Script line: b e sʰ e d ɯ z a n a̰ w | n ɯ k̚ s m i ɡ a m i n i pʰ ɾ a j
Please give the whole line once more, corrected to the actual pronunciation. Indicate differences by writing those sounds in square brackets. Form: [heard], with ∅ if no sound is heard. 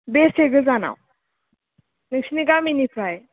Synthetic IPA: b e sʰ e [ɡ] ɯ z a n a̰ w | n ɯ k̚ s [n] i ɡ a m i n i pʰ ɾ a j

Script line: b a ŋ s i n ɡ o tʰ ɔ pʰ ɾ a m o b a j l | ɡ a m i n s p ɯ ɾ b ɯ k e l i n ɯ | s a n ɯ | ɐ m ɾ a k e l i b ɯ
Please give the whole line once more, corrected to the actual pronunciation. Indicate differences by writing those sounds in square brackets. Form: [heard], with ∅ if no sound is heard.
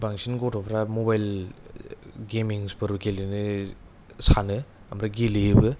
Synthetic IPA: b a ŋ s i n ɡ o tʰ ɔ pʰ ɾ a m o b a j l | ɡ [e] m i [ŋ] s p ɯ ɾ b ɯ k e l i n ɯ | s a n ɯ | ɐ m ɾ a [ɡ] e l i b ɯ

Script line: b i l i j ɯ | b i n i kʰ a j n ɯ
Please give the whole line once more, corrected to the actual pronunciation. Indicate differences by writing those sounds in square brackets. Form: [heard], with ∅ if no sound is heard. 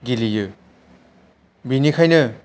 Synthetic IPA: [ɡ] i l i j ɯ | b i n i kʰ a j n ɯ

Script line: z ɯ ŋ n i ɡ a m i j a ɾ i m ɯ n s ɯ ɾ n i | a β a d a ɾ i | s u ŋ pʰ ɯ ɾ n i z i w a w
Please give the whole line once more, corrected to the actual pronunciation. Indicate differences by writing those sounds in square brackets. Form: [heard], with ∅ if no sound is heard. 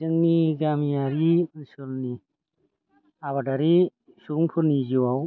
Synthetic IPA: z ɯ ŋ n i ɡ a m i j a ɾ i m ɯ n s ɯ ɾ n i | a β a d a ɾ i | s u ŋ pʰ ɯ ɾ n i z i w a w

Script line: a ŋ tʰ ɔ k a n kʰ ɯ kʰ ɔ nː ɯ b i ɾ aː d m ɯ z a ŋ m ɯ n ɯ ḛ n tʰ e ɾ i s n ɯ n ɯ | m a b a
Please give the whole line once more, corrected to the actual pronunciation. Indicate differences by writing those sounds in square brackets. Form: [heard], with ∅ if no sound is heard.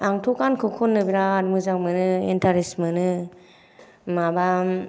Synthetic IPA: a ŋ tʰ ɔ k a n kʰ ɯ kʰ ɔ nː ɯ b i ɾ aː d m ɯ z a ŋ m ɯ n ɯ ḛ n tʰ [a] ɾ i s [m] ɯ n ɯ | m a b a

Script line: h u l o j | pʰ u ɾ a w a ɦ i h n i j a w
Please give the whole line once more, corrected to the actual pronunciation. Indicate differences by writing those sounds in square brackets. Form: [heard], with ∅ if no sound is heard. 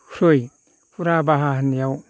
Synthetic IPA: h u [ɾ] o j | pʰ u ɾ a [b] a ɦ [a] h n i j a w

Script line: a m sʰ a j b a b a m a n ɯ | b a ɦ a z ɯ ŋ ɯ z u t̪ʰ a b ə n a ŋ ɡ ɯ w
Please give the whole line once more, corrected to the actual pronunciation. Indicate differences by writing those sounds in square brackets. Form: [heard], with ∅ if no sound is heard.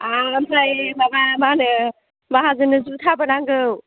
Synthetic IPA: a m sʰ a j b a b a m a n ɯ | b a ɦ a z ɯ [n] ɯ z u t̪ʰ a b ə n a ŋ ɡ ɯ w

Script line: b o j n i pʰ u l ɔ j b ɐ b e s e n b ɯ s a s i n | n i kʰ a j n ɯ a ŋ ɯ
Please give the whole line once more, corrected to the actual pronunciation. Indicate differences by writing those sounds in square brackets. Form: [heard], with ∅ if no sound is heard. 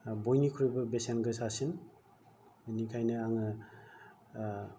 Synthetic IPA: b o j n i [kʰ] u [ɾ] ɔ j b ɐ b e s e n [ɡ] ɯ s a s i n | n i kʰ a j n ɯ a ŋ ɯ

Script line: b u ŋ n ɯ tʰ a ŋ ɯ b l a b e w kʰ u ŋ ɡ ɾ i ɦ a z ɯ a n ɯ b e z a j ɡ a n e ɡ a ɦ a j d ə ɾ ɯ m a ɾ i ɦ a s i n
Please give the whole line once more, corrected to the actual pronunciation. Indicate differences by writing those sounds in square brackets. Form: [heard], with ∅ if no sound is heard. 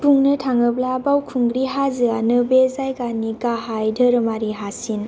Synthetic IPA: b u ŋ n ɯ tʰ a ŋ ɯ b l a b [a] w kʰ u ŋ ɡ ɾ i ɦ a z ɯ a n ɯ b e z a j ɡ a n [i] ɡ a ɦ a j d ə ɾ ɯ m a ɾ i ɦ a s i n

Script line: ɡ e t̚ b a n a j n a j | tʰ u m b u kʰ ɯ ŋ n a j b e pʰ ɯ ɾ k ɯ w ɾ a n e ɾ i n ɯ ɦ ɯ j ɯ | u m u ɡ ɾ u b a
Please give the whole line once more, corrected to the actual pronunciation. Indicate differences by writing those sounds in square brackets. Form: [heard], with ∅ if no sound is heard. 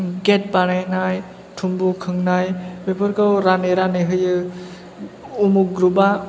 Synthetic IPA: ɡ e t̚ b a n a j n a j | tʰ u m b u kʰ ɯ ŋ n a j b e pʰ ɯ ɾ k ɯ w ɾ a n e ɾ [a] n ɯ ɦ ɯ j ɯ | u m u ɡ ɾ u b a

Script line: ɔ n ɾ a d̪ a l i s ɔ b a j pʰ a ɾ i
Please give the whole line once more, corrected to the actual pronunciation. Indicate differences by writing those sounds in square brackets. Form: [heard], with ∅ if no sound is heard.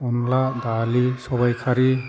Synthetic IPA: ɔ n [l] a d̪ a l i s ɔ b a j [kʰ] a ɾ i

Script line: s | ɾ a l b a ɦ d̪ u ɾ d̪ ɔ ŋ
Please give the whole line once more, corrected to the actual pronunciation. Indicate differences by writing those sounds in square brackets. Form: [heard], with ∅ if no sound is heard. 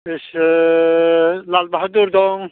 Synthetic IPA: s | [l] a l b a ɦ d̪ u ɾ d̪ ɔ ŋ

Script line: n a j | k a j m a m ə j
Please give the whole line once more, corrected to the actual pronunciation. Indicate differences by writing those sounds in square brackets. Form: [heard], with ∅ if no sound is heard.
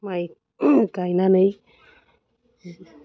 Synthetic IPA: [m] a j | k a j [n] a [n] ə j

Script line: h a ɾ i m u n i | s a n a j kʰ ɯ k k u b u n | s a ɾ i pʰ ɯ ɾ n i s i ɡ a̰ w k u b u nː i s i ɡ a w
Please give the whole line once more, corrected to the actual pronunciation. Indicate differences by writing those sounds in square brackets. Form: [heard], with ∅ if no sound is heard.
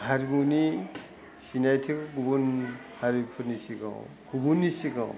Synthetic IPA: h a ɾ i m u n i | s [i] n a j [tʰ] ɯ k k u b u n | [h] a ɾ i pʰ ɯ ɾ n i s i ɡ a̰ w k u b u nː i s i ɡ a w

